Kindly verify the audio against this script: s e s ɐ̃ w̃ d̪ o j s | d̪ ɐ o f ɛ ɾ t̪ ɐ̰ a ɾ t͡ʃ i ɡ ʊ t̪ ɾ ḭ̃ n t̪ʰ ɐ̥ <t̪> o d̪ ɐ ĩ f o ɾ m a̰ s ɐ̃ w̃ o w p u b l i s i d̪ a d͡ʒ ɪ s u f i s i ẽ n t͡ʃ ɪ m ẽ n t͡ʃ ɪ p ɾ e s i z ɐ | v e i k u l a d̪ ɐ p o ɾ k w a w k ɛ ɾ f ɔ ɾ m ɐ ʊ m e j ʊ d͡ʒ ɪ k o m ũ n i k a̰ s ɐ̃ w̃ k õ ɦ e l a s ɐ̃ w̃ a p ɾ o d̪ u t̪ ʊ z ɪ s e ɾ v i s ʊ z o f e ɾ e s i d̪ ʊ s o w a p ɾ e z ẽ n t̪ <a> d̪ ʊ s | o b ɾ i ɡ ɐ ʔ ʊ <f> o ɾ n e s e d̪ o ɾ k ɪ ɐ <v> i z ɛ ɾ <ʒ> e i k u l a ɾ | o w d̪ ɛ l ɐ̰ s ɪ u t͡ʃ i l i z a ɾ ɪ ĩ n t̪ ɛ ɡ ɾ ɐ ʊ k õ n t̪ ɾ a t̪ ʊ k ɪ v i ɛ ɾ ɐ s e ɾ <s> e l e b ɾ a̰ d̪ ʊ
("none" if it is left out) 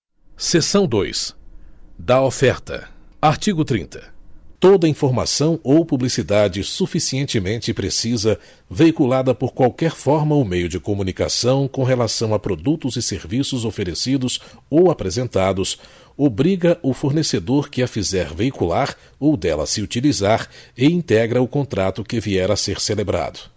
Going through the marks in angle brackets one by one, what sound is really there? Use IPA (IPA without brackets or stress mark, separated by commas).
t̪, a, f, f, v, s